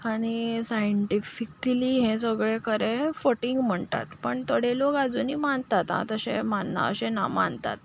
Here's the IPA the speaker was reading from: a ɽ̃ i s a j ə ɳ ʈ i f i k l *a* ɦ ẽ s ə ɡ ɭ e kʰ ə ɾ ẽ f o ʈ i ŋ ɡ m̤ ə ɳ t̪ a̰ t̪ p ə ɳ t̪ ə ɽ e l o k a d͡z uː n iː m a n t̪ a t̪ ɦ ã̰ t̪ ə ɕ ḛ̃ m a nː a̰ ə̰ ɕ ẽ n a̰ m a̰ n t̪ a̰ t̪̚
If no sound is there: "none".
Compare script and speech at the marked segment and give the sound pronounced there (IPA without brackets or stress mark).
i